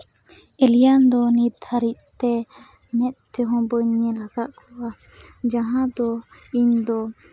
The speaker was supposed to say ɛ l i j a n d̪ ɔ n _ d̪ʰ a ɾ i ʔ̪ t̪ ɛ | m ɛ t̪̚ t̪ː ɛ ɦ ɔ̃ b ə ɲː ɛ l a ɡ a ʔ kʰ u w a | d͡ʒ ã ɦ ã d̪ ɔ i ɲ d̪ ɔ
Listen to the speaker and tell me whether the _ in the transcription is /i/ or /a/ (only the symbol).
i